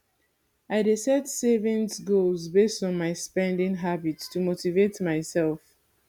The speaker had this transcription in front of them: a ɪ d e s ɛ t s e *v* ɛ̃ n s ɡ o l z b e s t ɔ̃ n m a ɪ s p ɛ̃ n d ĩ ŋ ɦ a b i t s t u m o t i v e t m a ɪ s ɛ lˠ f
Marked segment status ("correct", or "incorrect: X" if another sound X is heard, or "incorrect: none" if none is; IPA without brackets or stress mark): correct